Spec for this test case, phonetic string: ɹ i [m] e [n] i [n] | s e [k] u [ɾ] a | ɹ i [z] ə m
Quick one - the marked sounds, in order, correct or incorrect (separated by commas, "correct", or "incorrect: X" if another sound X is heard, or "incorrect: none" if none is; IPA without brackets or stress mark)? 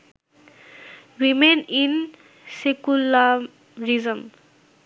correct, correct, correct, correct, incorrect: l, correct